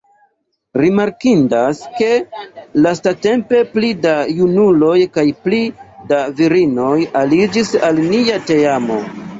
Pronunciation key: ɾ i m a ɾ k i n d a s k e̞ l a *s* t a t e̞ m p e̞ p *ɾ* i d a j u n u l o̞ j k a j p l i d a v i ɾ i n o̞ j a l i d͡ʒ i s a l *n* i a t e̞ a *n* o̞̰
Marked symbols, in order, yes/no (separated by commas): yes, no, yes, no